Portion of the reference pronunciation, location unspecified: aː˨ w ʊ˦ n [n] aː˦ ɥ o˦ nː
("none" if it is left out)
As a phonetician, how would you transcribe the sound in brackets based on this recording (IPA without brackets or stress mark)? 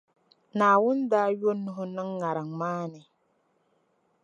d